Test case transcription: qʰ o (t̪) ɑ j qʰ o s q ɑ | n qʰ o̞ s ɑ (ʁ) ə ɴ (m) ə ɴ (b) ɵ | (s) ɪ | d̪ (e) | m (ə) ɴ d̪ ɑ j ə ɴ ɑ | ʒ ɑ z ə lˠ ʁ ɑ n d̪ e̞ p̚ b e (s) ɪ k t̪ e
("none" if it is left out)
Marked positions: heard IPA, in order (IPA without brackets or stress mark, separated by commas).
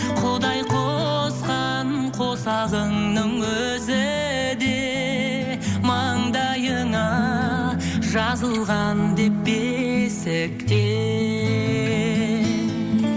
d̪, ʁ, n, w, z, e, ɑ, s